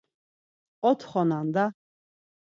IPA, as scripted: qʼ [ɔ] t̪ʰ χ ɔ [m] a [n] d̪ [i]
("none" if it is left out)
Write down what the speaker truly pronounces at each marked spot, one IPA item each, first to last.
ɔ, n, n, a

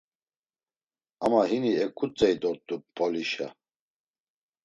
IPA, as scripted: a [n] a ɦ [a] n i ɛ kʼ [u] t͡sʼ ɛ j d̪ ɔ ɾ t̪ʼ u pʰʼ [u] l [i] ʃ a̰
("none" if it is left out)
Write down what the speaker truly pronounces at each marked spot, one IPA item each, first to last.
m, i, u, ɔ, i

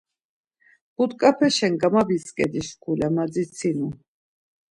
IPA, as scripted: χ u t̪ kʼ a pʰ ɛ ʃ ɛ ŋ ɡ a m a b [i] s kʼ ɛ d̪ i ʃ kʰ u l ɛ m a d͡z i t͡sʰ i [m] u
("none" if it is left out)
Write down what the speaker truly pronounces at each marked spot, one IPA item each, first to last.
i, n

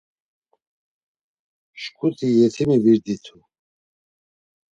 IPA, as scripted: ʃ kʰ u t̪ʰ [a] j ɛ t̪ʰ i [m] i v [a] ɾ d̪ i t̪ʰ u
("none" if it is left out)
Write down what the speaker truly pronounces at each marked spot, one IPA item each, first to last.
i, m, i

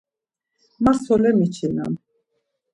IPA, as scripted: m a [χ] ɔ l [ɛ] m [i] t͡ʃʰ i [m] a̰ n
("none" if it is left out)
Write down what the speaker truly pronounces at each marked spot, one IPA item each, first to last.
s, ɛ, i, n

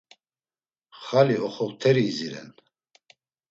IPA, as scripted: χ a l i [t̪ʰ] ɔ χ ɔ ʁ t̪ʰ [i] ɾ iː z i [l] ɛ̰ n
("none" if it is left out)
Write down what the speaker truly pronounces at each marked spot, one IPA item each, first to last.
none, ɛ, ɾ

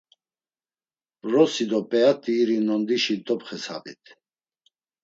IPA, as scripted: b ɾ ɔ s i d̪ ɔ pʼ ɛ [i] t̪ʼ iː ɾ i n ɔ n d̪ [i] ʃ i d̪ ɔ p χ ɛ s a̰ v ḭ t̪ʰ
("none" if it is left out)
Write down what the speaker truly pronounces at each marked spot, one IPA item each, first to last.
a, i

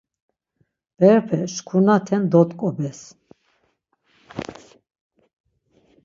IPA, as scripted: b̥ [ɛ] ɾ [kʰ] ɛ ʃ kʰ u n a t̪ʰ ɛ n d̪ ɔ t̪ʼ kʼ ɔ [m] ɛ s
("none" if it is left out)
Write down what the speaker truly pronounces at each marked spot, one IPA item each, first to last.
ɛ, pʰ, b

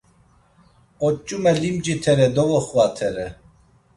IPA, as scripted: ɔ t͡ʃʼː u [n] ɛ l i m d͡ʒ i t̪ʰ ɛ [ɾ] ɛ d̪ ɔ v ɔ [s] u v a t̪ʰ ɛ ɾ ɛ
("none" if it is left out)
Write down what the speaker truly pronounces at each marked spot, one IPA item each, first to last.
m, ɾ, χ

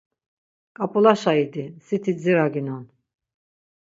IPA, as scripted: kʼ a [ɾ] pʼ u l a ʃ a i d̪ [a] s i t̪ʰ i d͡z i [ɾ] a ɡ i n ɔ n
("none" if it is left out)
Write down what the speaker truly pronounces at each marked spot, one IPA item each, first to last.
none, i, ɾ

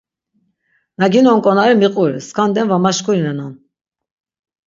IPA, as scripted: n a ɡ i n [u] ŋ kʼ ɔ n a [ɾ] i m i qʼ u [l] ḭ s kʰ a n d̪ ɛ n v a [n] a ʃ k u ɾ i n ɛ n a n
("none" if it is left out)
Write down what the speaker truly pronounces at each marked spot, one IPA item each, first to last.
ɔ, ɾ, ɾ, m

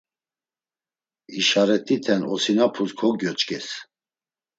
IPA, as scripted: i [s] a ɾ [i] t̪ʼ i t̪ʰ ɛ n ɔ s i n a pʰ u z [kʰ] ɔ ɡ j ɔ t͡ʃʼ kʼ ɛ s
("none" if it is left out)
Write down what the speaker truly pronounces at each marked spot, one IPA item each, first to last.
ʃ, ɛ, kʰ

